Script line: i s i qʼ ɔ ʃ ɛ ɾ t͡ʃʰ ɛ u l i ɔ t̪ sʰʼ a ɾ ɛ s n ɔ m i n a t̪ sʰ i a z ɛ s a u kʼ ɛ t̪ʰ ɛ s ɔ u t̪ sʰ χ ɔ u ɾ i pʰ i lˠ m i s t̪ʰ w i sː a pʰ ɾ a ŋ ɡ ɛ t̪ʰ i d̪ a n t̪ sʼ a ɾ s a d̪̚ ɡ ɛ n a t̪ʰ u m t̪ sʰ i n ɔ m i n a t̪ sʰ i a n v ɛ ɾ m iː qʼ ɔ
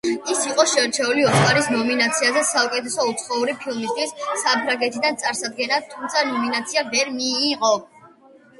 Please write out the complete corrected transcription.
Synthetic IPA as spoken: i s i qʼ ɔ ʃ ɛ ɾ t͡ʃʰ ɛ u l i ɔ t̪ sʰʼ a ɾ i s n ɔ m i n a t̪ sʰ i a z ɛ s a u kʼ ɛ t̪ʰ ɛ s ɔ u t̪ sʰ χ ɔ u ɾ i pʰ i lˠ m i s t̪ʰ w i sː a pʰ ɾ a ŋ ɡ ɛ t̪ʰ i d̪ a n t̪ sʼ a ɾ s a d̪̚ ɡ ɛ n a t̪ʰ u m t̪ sʰ a n ɔ m i n a t̪ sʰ i a v ɛ ɾ m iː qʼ ɔ